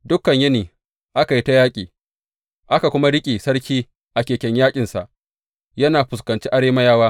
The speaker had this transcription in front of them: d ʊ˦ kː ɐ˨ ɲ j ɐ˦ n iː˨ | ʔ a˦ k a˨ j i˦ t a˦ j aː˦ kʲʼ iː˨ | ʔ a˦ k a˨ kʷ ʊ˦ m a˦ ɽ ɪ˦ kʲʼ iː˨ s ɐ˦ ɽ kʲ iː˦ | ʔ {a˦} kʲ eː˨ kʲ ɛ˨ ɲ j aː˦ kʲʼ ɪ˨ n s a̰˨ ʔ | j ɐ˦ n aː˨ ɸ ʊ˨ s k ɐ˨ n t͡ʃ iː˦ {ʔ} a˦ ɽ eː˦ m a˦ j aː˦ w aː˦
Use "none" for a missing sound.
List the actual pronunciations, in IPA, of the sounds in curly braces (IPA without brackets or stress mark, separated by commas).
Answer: a˨, ʔ